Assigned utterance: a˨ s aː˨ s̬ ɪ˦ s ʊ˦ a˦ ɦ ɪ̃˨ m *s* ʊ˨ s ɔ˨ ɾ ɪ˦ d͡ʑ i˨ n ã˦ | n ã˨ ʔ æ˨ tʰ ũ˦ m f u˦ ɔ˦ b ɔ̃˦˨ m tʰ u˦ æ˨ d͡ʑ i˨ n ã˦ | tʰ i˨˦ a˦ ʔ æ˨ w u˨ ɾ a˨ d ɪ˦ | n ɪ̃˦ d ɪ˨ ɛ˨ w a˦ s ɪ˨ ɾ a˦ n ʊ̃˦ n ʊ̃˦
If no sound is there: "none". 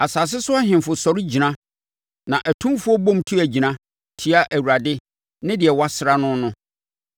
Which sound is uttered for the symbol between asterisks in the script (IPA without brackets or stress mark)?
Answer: f